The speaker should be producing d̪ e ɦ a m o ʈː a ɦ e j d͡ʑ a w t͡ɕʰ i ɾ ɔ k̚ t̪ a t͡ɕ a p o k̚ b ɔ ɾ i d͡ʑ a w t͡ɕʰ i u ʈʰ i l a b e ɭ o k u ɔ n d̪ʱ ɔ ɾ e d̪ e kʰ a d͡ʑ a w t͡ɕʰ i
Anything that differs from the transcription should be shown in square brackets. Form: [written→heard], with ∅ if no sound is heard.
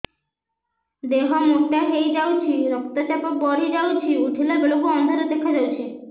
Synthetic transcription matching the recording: d̪ e ɦ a m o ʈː a ɦ e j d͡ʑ a w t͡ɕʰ i ɾ ɔ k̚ t̪ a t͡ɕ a p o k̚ b ɔ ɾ i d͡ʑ a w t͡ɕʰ i u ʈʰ i l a b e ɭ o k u ɔ n d̪ʱ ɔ ɾ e d̪ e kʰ a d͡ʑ a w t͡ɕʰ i